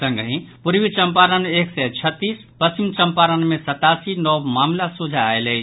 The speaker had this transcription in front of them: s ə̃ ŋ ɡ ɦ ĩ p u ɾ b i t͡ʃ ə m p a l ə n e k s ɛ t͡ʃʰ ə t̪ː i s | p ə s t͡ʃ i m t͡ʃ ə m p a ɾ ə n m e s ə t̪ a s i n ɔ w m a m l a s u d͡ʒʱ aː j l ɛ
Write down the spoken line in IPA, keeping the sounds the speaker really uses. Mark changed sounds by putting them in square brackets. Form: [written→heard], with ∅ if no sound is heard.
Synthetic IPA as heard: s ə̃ ŋ ɡ ɦ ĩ p u ɾ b i t͡ʃ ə m p a [l→ɾ] ə n e k s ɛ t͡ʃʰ ə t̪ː i s | p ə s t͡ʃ i m t͡ʃ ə m p a ɾ ə n m e s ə t̪ a s i n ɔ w m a m l a s u d͡ʒʱ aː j l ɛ